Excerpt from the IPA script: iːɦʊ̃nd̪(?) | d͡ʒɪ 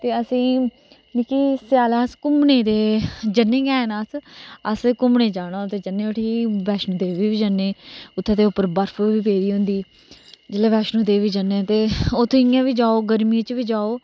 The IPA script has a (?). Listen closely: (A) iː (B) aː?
A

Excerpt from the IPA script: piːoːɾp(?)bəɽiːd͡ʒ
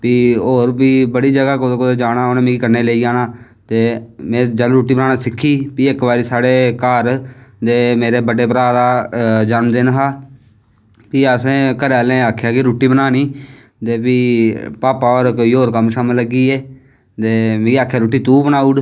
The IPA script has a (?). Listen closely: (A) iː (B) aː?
A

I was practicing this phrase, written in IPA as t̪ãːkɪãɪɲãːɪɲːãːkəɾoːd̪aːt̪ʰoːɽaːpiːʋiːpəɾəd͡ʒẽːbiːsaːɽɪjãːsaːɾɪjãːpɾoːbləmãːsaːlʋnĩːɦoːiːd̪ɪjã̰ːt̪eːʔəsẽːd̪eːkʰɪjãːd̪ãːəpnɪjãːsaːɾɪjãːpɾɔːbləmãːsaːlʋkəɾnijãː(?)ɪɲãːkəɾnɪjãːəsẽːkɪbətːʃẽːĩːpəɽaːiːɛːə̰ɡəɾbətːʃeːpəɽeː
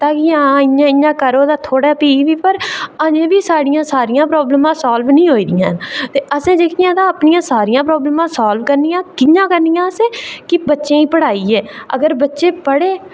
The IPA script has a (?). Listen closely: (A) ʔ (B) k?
B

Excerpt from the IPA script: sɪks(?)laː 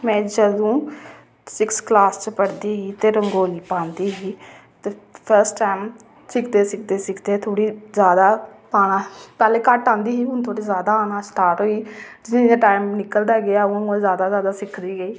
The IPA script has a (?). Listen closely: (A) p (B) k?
B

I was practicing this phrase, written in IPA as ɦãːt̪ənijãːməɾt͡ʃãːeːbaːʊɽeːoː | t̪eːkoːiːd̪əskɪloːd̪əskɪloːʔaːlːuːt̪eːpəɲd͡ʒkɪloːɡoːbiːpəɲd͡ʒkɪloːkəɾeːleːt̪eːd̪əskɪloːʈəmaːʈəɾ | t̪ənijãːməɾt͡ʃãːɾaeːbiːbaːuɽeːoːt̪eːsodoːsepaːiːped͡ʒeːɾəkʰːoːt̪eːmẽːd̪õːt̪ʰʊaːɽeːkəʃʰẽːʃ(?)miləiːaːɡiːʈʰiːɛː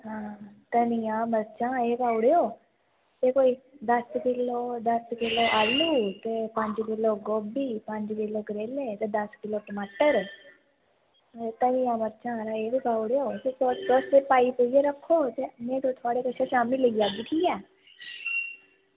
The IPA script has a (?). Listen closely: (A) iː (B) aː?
B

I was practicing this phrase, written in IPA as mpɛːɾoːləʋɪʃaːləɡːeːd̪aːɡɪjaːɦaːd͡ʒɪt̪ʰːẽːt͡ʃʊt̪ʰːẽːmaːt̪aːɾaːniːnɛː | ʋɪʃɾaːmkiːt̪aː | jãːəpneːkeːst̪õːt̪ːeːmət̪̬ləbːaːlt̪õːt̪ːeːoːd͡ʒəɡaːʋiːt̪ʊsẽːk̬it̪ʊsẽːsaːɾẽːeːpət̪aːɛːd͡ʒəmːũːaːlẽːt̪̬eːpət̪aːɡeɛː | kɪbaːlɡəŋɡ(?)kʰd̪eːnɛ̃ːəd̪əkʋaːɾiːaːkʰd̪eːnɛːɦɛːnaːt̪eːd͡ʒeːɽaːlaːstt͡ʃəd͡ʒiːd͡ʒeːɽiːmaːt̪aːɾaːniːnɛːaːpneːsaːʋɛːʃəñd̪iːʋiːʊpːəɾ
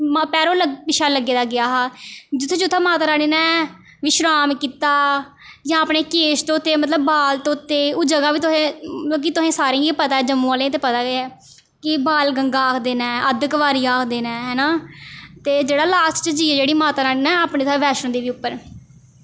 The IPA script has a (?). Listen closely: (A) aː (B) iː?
A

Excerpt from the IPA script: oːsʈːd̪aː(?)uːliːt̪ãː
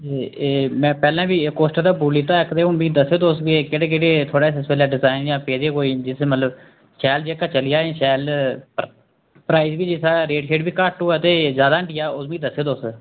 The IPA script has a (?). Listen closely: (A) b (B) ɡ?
A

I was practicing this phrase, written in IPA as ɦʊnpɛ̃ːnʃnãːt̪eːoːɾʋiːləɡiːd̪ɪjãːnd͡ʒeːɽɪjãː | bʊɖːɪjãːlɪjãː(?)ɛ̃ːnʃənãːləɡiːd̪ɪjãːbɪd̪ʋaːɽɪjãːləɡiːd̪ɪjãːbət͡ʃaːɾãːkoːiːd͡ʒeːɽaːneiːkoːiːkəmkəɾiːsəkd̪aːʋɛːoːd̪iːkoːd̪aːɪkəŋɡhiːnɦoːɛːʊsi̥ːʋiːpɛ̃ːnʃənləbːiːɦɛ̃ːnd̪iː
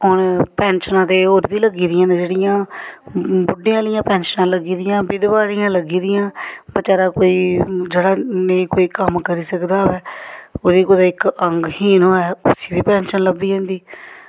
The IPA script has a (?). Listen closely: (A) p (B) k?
A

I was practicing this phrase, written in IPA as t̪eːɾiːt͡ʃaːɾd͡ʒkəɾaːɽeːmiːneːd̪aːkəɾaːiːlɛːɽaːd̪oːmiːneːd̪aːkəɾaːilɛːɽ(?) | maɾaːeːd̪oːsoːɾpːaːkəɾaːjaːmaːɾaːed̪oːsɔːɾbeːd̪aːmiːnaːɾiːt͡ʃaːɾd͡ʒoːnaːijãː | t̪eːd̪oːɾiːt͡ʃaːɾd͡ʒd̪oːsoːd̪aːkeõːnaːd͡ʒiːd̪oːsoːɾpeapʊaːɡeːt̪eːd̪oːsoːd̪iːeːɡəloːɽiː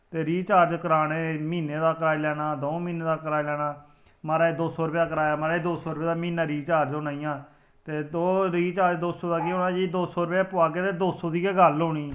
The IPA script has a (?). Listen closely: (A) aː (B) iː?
A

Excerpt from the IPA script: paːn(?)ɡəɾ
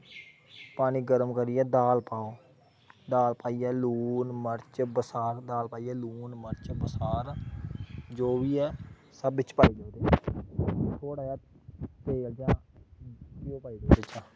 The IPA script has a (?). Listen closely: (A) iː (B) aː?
A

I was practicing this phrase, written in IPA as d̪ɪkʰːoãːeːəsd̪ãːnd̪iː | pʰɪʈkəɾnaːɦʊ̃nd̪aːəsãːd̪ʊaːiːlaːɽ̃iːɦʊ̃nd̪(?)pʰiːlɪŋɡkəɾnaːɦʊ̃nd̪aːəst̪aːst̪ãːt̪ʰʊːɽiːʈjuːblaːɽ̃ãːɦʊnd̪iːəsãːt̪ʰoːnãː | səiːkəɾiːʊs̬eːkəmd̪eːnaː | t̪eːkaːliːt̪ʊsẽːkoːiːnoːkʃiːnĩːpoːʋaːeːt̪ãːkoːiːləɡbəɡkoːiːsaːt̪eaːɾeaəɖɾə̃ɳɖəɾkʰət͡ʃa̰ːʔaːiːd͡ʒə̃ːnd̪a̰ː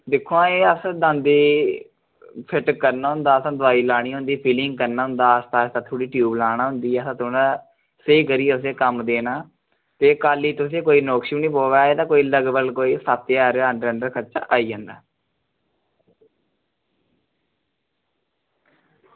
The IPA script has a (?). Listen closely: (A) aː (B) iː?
B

